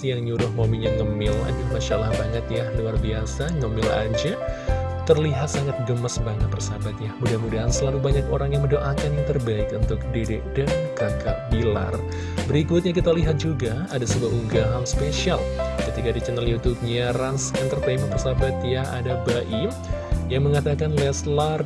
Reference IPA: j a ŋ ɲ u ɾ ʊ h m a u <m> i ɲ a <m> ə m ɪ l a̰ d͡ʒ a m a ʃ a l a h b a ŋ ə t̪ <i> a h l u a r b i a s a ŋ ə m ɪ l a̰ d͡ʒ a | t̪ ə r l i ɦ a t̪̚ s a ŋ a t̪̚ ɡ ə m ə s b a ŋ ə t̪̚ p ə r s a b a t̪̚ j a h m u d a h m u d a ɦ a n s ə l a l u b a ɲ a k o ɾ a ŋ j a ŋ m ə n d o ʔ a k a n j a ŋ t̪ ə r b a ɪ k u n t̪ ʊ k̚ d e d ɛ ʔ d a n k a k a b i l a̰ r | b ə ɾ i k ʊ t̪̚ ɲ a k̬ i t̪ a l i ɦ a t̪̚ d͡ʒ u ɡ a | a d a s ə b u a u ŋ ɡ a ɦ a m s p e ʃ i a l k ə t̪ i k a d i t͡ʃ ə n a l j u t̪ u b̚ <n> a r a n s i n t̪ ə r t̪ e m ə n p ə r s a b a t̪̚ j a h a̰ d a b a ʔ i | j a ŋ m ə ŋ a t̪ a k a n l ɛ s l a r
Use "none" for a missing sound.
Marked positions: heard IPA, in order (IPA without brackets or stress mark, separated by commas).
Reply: m, ŋ, j, ɲ